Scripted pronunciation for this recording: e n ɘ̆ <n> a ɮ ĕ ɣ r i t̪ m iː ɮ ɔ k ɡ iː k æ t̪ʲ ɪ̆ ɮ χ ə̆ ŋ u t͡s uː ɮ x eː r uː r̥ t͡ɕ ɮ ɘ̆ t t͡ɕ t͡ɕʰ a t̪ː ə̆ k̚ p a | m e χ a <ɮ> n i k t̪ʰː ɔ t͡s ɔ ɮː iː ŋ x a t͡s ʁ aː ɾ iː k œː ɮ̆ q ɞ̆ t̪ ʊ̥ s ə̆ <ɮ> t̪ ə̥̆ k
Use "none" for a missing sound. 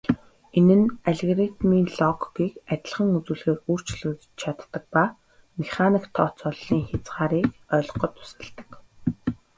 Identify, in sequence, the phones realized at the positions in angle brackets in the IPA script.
n, none, ɮ

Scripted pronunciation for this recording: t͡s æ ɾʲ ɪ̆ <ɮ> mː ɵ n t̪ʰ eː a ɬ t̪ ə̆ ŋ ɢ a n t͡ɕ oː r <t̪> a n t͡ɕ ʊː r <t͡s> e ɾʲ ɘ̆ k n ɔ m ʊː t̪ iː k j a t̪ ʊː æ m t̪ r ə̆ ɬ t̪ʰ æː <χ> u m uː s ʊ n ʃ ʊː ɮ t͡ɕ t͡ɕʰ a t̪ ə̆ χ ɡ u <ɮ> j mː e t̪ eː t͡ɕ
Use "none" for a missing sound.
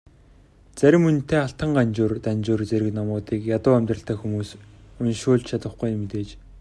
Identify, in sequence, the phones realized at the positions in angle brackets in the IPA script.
none, t̪, t͡s, x, none

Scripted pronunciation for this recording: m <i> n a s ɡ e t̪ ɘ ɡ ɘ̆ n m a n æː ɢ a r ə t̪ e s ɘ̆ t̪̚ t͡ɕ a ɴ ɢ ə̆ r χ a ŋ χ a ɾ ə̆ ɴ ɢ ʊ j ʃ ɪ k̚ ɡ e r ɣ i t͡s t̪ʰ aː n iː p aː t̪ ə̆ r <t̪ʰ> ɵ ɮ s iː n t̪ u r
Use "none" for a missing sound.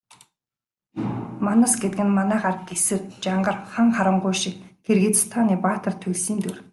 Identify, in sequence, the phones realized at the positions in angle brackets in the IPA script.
a, t̪ʰ

